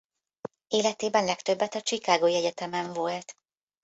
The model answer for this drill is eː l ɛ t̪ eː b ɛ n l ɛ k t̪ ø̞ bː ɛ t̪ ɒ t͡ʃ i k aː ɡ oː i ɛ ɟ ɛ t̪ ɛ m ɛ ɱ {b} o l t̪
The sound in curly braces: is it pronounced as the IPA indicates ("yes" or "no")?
no